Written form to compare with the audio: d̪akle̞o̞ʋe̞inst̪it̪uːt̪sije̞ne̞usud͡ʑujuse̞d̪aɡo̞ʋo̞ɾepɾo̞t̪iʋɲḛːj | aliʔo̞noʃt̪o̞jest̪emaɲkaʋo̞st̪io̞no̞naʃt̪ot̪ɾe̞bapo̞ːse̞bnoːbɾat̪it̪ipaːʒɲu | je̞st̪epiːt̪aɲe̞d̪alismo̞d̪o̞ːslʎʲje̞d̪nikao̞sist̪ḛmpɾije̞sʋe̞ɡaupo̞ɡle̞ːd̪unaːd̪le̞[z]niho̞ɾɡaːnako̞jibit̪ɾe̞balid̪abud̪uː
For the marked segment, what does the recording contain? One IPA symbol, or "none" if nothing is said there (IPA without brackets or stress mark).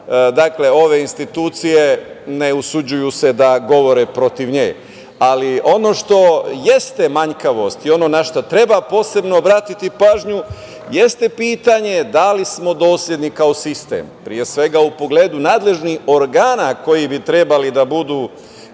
ʒ